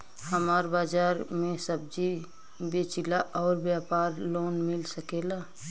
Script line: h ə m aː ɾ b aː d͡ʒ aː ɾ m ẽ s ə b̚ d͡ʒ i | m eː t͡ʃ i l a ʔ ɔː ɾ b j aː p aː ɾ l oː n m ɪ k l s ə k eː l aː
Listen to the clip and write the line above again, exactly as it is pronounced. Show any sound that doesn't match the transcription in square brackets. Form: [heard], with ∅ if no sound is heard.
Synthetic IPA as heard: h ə m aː ɾ b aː d͡ʒ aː ɾ m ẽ s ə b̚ d͡ʒ i | [b] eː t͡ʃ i l a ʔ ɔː ɾ b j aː p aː ɾ l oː n m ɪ [∅] l s ə k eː l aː